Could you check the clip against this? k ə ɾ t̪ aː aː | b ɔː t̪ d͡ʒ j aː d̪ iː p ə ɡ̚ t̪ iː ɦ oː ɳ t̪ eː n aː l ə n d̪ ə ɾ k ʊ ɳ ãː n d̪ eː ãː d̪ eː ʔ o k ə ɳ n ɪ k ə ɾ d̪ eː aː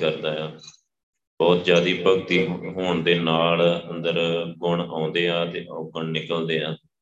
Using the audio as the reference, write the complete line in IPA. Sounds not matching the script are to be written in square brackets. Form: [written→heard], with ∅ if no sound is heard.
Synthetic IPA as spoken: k ə ɾ [t̪→d̪] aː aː | b ɔː t̪ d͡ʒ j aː d̪ iː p ə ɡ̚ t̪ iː ɦ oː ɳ [t̪→d̪] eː n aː l ə n d̪ ə ɾ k ʊ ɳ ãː n d̪ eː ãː [d̪→t̪] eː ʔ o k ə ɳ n ɪ k ə [ɾ→l] d̪ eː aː